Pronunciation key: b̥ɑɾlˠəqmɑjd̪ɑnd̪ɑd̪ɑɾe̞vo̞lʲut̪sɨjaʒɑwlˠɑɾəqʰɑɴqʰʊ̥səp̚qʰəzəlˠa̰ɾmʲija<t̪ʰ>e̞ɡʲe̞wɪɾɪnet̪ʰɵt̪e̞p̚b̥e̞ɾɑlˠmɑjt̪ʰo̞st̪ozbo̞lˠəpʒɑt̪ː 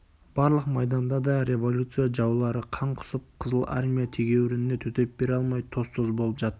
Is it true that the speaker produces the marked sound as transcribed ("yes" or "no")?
yes